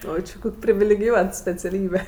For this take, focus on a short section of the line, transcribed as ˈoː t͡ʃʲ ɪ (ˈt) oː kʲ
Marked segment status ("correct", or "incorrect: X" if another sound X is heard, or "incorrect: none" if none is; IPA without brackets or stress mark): incorrect: k